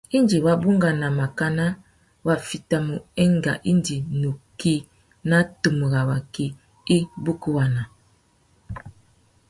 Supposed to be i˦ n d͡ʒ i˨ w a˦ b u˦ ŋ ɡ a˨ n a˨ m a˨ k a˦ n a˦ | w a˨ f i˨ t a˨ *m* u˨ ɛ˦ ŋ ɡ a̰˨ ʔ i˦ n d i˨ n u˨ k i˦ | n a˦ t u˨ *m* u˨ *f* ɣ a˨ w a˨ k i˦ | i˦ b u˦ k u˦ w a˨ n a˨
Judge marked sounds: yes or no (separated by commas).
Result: yes, yes, no